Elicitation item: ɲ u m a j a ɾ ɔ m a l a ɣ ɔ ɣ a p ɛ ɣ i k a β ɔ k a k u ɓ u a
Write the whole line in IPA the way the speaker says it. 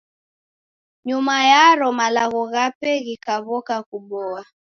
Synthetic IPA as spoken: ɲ u m a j a ɾ ɔ m a l a ɣ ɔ ɣ a p ɛ ɣ i k a β ɔ k a k u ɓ ɔ a